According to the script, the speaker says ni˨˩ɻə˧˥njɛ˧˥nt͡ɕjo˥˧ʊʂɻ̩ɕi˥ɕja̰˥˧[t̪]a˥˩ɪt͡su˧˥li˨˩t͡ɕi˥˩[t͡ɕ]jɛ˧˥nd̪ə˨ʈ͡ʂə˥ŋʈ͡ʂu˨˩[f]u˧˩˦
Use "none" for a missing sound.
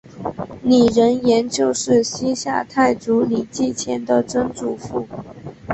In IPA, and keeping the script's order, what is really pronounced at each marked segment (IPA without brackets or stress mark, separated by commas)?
t̪ʰ, t͡ɕʰ, f